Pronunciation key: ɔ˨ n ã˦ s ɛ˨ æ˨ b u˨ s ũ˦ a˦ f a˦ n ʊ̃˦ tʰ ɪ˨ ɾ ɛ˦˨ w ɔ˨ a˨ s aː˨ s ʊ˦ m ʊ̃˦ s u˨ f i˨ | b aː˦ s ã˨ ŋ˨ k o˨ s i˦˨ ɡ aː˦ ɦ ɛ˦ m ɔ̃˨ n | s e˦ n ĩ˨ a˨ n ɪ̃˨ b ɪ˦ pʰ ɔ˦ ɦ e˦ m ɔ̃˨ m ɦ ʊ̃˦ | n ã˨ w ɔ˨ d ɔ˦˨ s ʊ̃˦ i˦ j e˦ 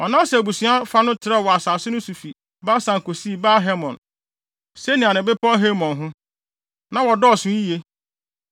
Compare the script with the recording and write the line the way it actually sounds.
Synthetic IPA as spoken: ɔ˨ n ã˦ s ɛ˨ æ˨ b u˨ s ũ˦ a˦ f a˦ n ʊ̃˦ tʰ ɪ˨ ɾ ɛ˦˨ w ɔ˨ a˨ s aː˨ s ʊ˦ n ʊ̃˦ s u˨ f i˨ | b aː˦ s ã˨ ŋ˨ k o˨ s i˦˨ b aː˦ ɦ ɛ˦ m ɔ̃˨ n | s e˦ n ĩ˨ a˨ n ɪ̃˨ b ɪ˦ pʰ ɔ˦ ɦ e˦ m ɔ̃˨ n ɦ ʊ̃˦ | n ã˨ w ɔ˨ d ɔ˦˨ s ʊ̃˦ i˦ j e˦